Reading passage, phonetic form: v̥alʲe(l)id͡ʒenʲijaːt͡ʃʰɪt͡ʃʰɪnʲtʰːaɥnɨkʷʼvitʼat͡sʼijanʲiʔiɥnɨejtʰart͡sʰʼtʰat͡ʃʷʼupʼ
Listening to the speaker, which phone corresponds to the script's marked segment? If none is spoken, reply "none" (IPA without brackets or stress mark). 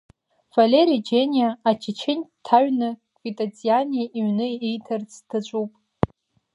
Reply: ɾ